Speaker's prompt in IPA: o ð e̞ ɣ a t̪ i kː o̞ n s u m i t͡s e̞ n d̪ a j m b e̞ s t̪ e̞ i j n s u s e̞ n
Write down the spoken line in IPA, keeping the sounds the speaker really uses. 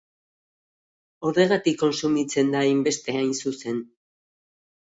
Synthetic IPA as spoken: o ð e̞ ɣ a t̪ i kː o̞ n s u m i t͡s e̞ n d̪ a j m b e̞ s t̪ e̞ a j n s u s e̞ n